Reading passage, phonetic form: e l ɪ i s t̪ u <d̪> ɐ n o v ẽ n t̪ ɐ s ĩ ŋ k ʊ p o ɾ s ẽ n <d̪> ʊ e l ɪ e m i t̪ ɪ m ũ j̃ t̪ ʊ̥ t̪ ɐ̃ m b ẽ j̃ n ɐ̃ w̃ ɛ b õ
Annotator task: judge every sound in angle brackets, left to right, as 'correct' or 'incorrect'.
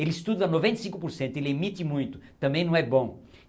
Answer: correct, incorrect

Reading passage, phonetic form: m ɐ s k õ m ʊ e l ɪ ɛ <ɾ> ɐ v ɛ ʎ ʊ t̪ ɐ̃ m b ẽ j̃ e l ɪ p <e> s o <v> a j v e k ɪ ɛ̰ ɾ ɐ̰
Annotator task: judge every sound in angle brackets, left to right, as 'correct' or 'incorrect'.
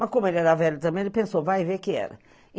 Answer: correct, incorrect, correct

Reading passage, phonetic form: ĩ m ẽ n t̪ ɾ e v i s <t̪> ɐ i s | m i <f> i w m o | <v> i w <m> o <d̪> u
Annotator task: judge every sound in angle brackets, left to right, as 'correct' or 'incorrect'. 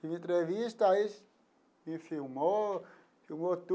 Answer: correct, correct, incorrect, correct, incorrect

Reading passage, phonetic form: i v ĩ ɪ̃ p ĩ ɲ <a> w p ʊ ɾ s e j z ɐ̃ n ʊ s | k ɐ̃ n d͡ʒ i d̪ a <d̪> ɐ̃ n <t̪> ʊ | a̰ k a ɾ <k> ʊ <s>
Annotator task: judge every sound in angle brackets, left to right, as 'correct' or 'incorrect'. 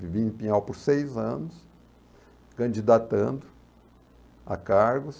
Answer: correct, incorrect, incorrect, incorrect, correct

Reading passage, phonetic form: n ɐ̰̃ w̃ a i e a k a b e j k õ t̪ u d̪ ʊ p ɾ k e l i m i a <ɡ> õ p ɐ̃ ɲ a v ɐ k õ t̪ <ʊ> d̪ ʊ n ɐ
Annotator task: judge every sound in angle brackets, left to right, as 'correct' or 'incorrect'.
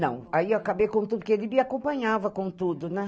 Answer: incorrect, incorrect

